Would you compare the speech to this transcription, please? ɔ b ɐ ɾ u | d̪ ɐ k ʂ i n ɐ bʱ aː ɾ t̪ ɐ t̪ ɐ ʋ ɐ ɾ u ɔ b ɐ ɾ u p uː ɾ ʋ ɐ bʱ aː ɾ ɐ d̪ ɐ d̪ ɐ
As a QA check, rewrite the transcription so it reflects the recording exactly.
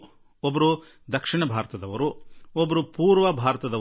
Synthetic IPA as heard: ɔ b ɐ ɾ u | d̪ ɐ k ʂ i ɳ ɐ bʱ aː ɾ t̪ ɐ d̪ ɐ ʋ ɐ ɾ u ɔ b ɐ ɾ u p uː ɾ ʋ ɐ bʱ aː ɾ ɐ t̪ ɐ d̪ ɐ